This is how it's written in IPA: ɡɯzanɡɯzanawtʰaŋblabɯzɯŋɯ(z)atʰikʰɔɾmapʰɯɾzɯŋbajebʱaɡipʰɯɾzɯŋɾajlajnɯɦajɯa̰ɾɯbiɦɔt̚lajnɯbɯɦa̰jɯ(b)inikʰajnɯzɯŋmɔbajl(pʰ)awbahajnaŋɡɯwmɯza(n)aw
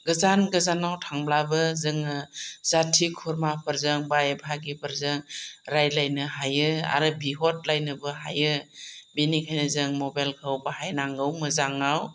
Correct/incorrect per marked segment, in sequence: correct, correct, incorrect, incorrect

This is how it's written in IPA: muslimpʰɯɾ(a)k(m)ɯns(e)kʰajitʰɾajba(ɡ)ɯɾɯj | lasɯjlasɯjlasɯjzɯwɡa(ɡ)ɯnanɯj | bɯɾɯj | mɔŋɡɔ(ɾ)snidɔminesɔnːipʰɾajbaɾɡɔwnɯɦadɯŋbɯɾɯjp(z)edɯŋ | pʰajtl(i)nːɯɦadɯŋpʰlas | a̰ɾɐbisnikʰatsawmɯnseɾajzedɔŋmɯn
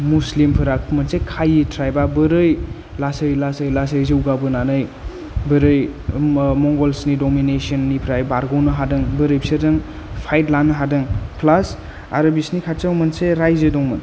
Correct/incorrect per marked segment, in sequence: correct, correct, correct, incorrect, incorrect, incorrect, incorrect, incorrect

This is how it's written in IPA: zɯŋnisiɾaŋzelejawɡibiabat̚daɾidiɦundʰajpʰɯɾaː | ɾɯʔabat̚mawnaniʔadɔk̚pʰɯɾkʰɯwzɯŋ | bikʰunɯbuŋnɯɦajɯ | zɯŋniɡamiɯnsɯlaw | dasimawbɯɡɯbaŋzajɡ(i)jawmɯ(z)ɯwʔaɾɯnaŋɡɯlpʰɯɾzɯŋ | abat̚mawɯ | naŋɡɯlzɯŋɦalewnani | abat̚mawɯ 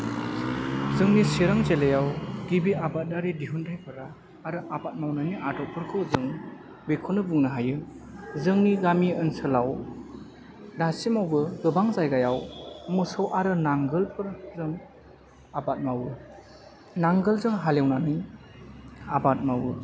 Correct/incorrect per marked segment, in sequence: incorrect, incorrect

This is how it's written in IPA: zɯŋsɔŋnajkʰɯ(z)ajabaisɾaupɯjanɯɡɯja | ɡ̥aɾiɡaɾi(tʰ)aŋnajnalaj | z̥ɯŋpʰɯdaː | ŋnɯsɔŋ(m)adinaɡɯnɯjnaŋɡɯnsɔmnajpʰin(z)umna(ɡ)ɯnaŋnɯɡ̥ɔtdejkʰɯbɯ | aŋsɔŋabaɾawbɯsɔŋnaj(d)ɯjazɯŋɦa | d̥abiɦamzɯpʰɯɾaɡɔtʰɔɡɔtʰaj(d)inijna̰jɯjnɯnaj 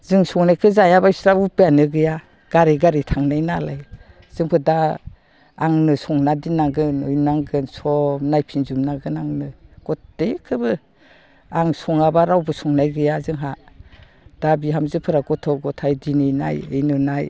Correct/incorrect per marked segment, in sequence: correct, correct, incorrect, correct, correct, incorrect, correct

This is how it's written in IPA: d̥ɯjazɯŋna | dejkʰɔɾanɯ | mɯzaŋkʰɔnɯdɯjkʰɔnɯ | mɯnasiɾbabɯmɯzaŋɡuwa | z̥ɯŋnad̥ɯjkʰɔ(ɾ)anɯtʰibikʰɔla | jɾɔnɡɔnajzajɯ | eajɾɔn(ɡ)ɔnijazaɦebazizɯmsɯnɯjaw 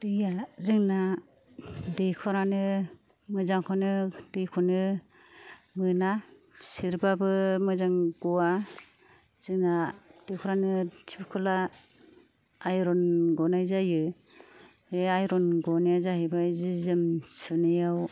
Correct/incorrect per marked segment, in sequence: correct, correct

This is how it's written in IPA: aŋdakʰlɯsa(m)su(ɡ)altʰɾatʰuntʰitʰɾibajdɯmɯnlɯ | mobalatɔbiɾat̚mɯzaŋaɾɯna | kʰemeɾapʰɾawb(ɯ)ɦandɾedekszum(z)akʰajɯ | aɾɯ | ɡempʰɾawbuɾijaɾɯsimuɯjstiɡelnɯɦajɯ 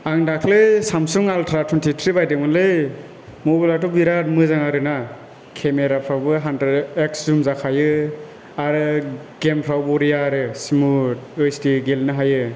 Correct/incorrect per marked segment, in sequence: correct, incorrect, correct, correct

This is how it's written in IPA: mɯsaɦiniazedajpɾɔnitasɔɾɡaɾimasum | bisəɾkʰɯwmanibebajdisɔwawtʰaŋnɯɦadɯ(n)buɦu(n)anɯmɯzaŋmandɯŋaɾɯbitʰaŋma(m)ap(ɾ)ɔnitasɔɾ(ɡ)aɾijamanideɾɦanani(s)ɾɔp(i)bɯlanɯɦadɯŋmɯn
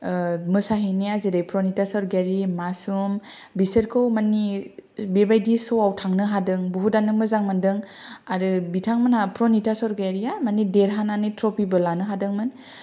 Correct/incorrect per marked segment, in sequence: incorrect, incorrect, incorrect, correct, correct, incorrect, correct

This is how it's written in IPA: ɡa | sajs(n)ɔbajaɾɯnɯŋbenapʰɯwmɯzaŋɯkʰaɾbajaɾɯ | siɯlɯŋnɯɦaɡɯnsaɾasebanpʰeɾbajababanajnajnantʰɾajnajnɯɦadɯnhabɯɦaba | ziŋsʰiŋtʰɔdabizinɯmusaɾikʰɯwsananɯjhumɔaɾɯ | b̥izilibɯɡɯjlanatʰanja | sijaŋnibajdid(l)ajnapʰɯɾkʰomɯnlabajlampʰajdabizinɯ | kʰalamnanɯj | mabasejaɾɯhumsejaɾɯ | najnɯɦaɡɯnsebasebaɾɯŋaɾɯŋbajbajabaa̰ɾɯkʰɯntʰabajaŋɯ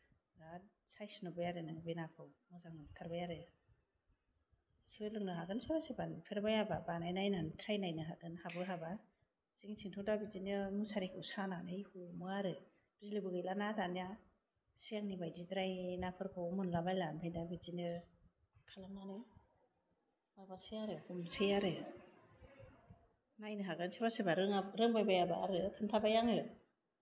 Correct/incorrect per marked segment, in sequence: correct, incorrect

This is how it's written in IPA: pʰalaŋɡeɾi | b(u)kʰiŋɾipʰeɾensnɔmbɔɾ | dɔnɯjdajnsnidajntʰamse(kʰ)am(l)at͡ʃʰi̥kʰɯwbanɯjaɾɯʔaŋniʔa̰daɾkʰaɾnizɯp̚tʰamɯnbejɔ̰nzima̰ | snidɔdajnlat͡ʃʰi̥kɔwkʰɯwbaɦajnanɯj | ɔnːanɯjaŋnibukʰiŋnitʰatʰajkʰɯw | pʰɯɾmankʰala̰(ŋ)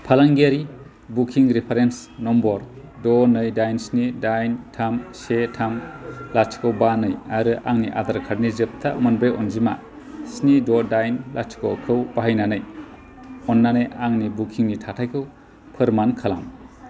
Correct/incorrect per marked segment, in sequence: correct, incorrect, correct, incorrect

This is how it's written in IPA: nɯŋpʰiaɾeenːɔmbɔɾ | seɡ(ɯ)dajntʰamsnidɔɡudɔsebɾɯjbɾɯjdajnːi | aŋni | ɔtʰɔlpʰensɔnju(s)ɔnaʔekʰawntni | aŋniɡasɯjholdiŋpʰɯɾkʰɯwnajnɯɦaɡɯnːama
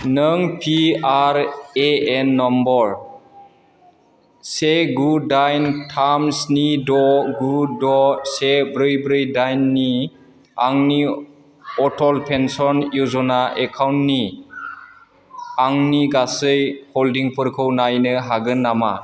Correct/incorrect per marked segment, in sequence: incorrect, incorrect

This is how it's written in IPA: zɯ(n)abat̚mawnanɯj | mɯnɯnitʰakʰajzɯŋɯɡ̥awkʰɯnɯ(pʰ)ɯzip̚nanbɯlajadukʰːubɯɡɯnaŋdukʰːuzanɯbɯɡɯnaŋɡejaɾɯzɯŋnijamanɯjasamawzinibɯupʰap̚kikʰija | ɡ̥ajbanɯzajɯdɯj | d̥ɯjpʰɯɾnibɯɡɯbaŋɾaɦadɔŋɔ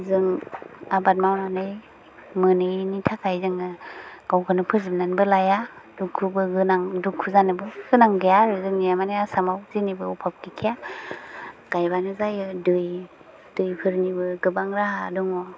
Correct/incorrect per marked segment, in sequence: incorrect, correct

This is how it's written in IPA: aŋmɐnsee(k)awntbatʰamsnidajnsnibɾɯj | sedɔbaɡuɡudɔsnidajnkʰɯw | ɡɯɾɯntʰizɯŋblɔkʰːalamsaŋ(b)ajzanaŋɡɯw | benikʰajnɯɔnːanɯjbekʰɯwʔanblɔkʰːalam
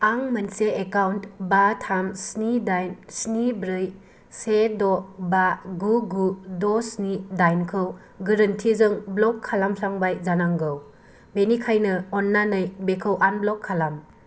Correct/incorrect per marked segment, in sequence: correct, correct

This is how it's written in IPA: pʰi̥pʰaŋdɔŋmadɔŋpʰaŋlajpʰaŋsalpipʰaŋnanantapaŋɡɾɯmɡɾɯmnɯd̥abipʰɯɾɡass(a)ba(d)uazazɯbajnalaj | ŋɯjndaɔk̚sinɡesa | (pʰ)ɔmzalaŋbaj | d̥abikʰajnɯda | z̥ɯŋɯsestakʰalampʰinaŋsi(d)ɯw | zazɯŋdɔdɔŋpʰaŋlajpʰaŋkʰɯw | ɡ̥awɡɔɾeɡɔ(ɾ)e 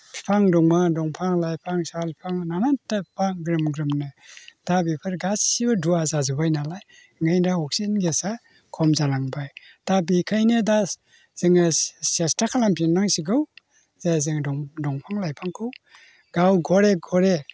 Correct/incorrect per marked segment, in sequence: incorrect, correct, incorrect, incorrect, correct

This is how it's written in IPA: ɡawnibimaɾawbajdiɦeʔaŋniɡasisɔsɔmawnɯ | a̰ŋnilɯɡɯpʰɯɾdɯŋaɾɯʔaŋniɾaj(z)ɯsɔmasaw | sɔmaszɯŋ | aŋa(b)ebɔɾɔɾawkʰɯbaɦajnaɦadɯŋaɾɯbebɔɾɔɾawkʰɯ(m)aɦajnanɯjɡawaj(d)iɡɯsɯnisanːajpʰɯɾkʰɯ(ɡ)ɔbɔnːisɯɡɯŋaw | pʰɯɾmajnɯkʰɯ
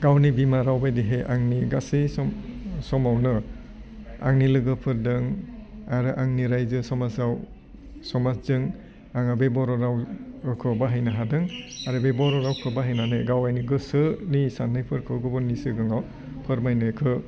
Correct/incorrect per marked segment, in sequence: correct, correct, incorrect, incorrect, correct

